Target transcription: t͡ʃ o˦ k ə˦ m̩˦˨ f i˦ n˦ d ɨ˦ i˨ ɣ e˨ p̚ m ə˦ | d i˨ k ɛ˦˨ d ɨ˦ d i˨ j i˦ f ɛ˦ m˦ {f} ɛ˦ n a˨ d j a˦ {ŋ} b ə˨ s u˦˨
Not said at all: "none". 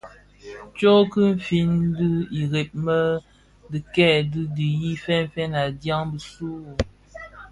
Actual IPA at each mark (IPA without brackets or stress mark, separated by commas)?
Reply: f, ŋ